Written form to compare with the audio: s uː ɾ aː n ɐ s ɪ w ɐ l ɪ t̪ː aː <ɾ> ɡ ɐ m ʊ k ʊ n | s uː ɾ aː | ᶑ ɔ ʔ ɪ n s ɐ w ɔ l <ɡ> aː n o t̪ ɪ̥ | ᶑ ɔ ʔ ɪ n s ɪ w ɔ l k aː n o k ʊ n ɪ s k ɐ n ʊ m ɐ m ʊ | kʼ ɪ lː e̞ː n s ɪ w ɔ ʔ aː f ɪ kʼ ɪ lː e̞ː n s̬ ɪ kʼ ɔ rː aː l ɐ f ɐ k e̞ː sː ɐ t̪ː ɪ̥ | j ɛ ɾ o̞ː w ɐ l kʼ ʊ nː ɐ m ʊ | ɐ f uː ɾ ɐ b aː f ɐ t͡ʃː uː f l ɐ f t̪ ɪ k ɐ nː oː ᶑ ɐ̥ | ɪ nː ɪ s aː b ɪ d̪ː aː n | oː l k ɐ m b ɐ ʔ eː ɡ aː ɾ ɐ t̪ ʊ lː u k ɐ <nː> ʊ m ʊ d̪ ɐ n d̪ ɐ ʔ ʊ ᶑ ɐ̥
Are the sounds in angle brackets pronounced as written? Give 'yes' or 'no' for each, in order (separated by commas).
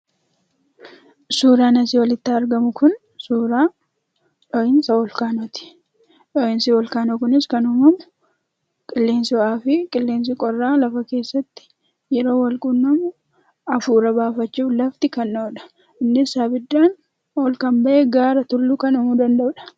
yes, no, no